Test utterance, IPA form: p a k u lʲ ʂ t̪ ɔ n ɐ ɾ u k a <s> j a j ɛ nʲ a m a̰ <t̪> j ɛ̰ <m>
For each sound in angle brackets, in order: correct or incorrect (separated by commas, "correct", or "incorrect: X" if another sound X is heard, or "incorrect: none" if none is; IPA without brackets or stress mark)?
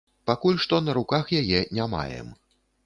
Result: incorrect: x, incorrect: none, correct